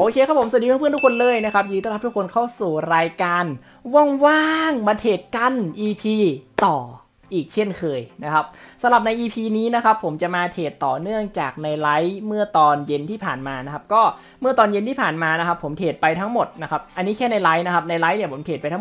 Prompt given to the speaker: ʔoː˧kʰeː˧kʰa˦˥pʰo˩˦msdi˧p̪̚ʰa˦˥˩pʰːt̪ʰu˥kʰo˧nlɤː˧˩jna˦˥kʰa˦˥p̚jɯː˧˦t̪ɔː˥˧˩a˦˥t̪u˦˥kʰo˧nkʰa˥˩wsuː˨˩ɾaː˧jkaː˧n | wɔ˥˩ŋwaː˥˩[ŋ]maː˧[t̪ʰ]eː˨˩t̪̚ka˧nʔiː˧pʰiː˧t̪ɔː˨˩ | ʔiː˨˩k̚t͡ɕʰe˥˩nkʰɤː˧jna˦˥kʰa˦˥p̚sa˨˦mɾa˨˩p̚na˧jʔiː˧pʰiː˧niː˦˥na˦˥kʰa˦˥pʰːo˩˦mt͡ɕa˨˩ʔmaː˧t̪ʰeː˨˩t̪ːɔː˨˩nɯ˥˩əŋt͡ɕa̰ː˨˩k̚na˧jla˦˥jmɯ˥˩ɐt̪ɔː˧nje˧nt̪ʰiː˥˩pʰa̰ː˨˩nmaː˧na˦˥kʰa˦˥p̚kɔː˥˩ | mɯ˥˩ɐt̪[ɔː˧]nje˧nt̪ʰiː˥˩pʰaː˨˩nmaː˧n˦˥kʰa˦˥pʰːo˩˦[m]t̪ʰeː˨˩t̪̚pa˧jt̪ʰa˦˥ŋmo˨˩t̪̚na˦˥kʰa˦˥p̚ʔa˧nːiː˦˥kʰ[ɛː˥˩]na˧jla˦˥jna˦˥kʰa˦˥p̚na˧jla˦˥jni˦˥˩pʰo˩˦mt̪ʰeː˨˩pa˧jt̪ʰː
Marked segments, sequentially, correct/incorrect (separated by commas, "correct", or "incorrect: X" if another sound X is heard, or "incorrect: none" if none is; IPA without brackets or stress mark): correct, correct, correct, correct, correct